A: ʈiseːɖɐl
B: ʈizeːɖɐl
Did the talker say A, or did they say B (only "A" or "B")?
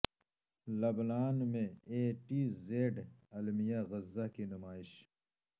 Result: B